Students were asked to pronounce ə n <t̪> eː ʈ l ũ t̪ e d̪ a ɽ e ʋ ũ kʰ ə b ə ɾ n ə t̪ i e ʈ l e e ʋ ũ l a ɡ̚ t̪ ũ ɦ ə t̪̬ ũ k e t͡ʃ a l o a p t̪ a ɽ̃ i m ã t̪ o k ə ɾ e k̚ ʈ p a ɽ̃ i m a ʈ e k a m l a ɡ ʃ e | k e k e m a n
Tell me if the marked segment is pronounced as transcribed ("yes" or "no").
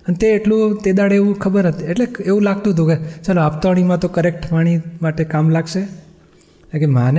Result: yes